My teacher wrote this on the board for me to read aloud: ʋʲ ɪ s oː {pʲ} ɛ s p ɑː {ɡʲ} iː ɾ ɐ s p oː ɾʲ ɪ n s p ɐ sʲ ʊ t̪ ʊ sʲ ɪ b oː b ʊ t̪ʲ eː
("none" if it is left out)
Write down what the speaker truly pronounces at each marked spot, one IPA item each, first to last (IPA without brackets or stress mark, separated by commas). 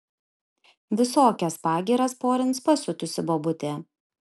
kʲ, ɡʲ